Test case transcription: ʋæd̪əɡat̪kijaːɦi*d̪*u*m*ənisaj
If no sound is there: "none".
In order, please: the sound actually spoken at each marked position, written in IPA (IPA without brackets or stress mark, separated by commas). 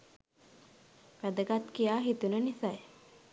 t̪, n